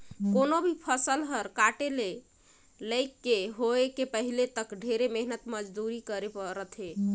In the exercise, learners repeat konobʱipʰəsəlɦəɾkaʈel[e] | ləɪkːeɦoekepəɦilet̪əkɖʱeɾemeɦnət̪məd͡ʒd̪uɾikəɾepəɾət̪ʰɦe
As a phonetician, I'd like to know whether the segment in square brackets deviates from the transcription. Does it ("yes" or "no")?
no